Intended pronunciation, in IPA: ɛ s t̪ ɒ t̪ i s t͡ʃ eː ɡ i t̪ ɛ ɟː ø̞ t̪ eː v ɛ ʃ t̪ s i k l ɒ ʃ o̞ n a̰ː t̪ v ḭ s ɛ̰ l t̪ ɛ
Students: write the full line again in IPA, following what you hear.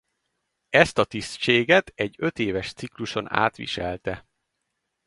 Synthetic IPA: ɛ s t̪ ɒ t̪ i s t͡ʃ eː ɡ ɛ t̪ ɛ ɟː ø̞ t̪ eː v ɛ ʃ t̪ s i k l u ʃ o̞ n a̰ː t̪ ʋ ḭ ʃ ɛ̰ l t̪ ɛ